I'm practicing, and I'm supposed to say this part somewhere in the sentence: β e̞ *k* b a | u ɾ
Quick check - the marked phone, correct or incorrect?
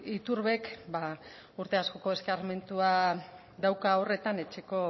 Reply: correct